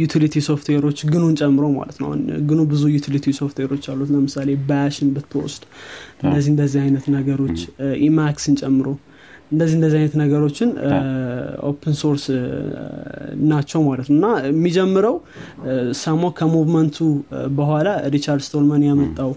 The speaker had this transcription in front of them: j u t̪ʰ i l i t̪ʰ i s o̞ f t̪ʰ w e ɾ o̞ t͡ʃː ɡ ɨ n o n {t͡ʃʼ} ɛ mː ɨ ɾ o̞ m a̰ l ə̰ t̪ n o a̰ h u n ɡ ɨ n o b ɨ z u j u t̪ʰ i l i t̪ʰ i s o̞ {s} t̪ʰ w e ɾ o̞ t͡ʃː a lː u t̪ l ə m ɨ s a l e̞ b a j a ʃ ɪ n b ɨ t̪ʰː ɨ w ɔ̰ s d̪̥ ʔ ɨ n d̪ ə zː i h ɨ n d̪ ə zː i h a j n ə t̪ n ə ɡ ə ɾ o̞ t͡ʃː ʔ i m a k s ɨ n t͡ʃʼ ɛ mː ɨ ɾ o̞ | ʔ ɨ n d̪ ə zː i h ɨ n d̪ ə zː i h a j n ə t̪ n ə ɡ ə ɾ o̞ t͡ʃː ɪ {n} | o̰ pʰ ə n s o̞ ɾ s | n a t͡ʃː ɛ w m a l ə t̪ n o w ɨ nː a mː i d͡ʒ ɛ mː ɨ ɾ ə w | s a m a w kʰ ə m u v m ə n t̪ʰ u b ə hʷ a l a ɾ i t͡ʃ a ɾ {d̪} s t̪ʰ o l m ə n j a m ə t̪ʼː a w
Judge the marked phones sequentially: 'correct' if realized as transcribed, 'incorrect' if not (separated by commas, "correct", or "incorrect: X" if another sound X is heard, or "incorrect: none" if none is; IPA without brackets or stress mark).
correct, incorrect: f, correct, correct